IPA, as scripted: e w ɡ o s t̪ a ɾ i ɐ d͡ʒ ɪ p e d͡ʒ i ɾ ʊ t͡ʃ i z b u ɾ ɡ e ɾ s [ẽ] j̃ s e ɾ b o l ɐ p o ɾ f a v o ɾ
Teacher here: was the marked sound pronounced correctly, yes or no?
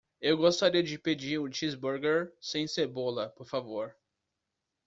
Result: yes